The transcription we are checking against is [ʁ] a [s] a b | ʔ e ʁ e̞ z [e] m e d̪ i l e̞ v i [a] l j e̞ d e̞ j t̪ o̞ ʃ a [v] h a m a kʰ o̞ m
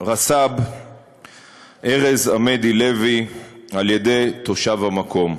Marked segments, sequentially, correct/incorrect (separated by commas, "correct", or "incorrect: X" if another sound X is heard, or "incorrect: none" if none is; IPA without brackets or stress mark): correct, correct, incorrect: a, correct, correct